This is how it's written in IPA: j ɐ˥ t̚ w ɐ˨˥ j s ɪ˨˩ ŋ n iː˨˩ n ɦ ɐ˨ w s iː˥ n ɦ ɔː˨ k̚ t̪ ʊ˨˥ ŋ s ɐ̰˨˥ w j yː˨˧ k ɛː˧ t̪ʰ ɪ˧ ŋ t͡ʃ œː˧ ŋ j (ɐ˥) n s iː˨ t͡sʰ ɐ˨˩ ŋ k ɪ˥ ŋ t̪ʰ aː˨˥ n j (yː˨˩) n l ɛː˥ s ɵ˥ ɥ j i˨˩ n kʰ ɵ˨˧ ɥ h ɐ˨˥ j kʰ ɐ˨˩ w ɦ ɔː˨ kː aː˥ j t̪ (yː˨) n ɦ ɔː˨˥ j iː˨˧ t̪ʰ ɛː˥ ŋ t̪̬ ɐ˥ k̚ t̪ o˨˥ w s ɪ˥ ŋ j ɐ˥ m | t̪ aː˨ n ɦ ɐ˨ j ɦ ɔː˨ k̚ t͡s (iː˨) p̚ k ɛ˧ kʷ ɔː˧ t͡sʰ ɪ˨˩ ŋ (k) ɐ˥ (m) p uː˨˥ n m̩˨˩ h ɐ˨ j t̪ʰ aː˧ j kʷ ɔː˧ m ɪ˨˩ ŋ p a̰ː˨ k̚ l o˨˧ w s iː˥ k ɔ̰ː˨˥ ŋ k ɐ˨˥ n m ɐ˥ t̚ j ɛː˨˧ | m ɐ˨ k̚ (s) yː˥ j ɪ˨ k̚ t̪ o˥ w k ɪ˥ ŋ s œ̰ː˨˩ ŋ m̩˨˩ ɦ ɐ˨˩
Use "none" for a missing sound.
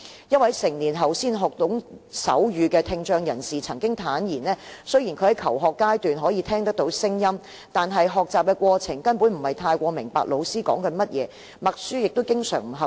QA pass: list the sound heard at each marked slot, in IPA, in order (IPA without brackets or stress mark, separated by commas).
ɐ˨˩, iː˨˩, yː˨, aː˨, k, n, s